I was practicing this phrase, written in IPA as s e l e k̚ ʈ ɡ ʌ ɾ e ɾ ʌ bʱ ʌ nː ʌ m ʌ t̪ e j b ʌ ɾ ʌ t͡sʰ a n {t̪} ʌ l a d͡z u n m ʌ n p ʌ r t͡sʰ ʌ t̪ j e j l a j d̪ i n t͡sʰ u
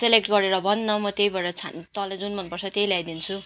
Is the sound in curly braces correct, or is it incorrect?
correct